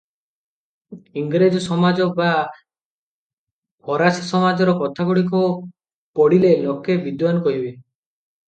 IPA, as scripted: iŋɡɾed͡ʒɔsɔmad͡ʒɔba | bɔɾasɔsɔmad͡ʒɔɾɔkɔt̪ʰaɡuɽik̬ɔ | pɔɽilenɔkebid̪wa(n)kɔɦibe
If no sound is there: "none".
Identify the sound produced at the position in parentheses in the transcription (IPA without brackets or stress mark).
n